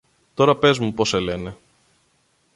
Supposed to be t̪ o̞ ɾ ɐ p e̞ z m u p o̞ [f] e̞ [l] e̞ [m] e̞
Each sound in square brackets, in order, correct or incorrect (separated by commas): incorrect, correct, incorrect